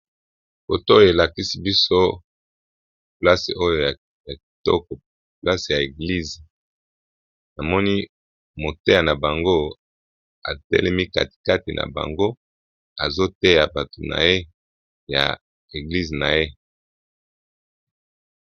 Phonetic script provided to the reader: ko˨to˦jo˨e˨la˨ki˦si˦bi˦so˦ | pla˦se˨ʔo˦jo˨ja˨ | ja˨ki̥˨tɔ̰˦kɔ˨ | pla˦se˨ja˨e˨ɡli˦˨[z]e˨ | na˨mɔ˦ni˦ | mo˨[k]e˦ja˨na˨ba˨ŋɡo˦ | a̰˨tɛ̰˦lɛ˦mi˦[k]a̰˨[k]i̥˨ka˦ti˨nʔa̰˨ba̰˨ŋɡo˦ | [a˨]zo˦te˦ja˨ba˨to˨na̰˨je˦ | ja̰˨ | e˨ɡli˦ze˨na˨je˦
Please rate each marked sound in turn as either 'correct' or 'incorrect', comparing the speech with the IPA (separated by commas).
correct, incorrect, correct, incorrect, correct